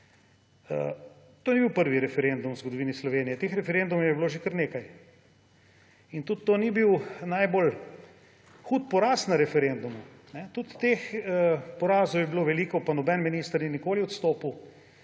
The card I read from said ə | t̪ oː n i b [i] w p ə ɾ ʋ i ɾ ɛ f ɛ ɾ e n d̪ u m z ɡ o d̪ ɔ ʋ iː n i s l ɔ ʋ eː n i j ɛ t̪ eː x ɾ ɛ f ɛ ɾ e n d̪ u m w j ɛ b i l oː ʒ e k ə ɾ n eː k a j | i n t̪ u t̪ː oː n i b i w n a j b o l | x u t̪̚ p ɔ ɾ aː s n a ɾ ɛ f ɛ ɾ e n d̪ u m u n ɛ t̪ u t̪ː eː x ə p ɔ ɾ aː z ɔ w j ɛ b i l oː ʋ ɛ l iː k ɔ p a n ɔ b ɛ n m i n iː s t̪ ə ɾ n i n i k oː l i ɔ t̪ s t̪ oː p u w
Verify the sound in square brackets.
correct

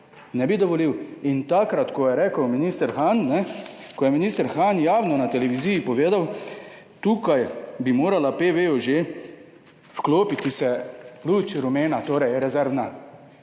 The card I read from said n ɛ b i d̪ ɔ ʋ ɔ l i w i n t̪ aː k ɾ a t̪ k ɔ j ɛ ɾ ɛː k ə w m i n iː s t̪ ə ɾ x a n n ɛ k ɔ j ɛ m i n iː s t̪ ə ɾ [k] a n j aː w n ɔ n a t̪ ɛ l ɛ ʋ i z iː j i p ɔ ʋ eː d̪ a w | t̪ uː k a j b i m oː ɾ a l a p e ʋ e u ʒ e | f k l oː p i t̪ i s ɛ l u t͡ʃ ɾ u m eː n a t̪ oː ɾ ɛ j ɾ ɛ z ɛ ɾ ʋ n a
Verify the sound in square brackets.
incorrect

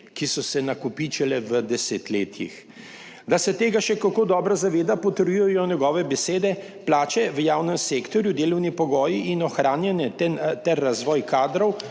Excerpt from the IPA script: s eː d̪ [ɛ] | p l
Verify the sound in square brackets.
correct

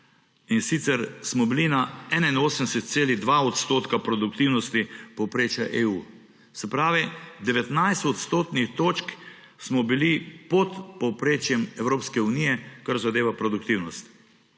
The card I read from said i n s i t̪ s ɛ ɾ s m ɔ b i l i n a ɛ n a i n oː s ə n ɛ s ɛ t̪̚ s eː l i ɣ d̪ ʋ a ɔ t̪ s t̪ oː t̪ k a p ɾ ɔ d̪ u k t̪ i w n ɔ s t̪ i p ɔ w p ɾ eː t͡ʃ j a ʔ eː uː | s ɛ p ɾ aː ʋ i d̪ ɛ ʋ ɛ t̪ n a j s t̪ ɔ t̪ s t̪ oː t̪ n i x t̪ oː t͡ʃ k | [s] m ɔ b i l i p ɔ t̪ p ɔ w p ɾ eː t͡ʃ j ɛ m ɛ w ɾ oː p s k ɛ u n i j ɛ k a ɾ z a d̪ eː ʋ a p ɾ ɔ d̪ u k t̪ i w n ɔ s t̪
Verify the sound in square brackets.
correct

